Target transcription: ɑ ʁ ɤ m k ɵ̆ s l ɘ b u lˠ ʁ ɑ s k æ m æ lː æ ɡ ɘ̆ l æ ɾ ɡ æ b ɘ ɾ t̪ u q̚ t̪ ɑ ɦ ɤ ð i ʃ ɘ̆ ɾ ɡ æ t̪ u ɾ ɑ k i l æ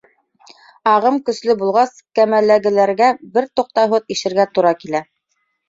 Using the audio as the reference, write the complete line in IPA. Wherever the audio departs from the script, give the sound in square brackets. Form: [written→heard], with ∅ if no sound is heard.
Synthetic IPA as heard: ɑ ʁ ɤ m k ɵ̆ s l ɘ b u lˠ ʁ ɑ s k æ m æ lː æ ɡ ɘ̆ l æ ɾ ɡ æ b ɘ ɾ t̪ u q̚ t̪ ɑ ɦ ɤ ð i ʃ ɘ̆ ɾ ɡ æ t̪ u ɾ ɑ k i l æ